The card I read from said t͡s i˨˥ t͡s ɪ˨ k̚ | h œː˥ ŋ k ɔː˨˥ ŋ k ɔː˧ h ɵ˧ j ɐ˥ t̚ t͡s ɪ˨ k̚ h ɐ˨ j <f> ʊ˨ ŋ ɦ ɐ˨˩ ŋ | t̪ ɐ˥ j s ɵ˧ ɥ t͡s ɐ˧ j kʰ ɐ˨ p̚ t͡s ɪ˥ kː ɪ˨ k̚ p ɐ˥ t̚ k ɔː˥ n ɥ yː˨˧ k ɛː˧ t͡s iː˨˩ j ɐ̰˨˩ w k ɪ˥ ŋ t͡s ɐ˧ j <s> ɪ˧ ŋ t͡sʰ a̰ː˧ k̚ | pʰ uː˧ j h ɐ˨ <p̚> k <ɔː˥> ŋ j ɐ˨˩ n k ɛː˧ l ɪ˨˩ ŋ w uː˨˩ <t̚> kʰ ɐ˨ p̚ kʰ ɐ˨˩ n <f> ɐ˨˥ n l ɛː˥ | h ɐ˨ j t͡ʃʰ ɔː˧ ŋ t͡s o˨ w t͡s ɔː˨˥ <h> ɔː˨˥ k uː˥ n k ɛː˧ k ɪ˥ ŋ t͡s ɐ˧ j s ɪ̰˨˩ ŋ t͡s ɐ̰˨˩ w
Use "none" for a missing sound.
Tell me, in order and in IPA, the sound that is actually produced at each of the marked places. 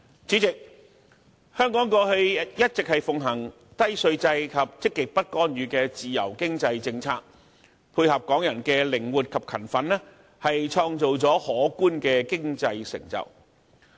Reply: f, t͡s, p̚, ɔː˨˥, t̚, f, h

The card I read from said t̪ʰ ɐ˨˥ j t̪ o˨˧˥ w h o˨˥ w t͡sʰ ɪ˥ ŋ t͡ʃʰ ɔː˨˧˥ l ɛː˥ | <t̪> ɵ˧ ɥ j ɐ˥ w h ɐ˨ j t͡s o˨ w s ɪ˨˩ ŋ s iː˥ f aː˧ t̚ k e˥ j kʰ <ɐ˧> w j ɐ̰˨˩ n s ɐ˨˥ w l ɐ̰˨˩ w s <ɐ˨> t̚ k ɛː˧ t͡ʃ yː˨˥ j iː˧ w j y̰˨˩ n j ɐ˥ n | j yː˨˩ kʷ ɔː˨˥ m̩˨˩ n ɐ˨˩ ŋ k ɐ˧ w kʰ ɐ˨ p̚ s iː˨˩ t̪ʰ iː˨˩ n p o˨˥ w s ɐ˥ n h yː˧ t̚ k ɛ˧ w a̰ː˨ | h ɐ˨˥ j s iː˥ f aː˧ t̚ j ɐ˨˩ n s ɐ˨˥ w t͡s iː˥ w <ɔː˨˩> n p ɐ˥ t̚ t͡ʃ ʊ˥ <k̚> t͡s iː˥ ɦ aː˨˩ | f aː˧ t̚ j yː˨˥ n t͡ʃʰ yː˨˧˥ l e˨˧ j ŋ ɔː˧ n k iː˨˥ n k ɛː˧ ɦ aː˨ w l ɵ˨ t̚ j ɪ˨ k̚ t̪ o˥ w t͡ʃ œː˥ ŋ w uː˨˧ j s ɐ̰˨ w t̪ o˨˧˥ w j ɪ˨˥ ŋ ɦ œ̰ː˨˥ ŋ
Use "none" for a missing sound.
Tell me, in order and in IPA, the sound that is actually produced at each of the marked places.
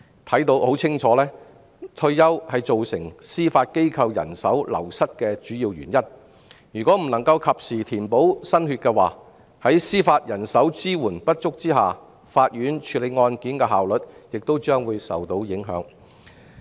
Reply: t̪ʰ, ɐ˧, ɐ˥, uː˨˩, k̚

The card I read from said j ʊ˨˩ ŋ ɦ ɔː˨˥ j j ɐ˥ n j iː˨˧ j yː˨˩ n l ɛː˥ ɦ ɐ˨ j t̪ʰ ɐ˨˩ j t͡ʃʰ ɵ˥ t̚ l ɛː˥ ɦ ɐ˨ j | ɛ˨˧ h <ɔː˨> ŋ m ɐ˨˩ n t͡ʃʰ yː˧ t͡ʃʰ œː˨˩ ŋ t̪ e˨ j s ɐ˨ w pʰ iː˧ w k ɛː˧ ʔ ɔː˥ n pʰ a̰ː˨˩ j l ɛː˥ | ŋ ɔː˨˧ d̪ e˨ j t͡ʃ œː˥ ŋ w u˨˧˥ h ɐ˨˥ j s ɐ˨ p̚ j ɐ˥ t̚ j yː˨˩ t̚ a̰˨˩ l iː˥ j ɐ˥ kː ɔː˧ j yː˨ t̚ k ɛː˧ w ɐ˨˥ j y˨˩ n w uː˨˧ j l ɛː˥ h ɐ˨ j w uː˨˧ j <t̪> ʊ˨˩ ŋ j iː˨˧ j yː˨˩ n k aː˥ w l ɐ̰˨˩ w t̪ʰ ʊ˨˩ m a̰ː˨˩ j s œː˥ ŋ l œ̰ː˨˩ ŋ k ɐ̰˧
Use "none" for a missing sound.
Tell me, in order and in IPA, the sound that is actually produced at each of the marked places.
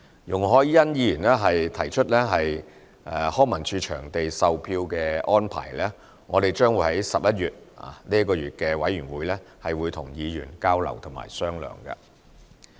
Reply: ɔː˥, t̪ʰ

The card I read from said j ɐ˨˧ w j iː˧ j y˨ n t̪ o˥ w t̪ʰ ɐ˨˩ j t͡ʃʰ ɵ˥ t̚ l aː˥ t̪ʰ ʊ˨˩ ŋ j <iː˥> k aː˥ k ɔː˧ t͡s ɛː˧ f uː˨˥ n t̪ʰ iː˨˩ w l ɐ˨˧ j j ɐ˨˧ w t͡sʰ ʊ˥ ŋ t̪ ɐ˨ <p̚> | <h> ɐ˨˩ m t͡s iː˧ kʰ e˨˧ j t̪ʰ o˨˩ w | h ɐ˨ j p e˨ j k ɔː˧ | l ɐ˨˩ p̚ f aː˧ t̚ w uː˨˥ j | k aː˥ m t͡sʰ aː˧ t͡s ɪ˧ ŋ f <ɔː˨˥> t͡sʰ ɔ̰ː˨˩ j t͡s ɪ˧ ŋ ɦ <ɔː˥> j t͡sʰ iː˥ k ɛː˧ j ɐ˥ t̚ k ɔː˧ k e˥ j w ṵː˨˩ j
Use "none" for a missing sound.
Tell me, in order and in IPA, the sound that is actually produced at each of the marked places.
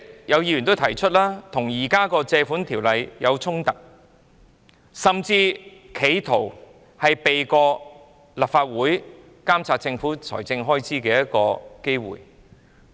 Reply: iː˨˩, k̚, s, uː˨˥, ɔː˥

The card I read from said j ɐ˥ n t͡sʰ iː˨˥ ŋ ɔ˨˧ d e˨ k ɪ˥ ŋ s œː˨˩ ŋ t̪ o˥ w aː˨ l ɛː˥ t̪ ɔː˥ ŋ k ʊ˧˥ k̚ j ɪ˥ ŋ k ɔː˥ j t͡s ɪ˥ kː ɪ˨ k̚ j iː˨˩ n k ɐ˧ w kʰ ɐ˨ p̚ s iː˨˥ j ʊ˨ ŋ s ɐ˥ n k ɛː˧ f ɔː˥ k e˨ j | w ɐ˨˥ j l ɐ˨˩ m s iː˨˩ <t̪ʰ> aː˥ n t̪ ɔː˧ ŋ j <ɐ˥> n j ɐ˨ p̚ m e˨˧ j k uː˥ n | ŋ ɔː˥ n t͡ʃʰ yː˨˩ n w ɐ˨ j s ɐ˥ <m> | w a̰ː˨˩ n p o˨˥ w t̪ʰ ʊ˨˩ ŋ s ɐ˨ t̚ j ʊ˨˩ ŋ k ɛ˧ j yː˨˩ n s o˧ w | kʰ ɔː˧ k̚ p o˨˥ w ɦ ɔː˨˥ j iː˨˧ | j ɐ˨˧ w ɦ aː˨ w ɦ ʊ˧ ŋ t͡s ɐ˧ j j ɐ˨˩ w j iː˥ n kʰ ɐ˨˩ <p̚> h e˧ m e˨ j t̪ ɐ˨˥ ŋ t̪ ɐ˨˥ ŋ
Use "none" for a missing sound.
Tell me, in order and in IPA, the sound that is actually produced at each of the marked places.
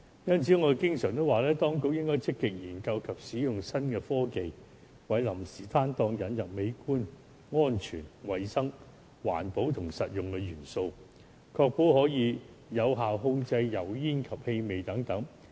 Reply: t̪ʰ, ɐ˨˥, ŋ, p̚

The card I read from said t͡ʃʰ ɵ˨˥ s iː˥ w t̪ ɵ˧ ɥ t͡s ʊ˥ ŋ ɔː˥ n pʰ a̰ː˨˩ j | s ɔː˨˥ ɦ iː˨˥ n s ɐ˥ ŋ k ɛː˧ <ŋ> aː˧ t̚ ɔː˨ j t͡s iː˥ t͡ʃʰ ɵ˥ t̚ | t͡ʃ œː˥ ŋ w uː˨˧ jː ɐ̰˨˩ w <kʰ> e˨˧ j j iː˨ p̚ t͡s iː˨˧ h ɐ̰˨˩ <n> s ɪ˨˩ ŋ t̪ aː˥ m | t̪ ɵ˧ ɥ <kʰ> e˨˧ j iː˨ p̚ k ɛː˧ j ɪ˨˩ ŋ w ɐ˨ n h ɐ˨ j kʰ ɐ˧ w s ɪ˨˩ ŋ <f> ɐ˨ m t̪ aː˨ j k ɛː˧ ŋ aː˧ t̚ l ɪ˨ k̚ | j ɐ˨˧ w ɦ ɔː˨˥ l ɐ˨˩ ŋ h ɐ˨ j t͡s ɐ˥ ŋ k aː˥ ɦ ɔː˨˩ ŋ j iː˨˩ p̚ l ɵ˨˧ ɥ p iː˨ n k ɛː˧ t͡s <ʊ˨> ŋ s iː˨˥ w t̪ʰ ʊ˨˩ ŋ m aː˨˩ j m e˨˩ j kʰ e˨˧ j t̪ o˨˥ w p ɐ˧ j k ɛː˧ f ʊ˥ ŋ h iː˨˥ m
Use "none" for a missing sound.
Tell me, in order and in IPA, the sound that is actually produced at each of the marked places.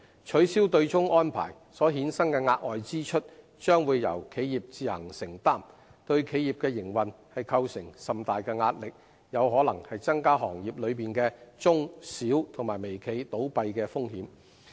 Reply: ŋ, kʰ, ŋ, kʰ, s, ʊ˥

